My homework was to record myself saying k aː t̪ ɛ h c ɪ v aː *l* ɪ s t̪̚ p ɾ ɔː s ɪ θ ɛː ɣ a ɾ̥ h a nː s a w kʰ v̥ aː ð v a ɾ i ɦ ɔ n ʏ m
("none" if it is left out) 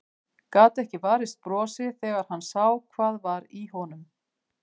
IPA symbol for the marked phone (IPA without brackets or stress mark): ɾ